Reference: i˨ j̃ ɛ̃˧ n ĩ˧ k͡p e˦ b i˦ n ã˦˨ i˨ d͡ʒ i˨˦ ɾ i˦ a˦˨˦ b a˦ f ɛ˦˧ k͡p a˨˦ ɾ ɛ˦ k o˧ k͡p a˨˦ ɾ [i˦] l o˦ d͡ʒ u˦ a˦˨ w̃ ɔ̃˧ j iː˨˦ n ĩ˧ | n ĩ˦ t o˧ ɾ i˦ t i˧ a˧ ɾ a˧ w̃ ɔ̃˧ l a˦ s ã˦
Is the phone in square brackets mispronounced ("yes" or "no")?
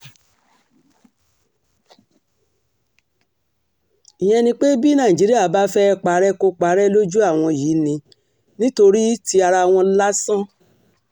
yes